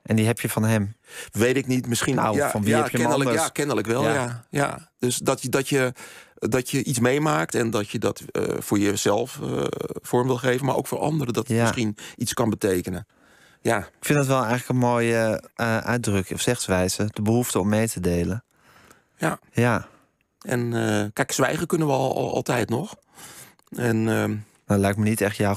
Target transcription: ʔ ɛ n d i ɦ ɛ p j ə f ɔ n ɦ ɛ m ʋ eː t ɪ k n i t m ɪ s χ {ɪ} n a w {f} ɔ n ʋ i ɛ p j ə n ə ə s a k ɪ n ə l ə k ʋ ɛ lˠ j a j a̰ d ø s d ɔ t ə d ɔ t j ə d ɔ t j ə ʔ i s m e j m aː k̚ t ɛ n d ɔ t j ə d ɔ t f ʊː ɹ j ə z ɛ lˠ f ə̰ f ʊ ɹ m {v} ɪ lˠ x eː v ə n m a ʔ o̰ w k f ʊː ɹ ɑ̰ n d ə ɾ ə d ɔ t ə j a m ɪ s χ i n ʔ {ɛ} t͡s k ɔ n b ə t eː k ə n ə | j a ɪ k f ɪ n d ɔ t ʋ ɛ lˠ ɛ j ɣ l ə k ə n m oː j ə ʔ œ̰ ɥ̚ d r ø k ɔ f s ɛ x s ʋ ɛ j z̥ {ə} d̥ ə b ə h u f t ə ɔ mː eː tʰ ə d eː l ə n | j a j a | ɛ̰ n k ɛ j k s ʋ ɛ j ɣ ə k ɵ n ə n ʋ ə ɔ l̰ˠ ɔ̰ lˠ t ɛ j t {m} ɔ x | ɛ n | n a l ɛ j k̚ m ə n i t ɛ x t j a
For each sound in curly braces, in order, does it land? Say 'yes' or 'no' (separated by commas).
no, yes, no, no, yes, no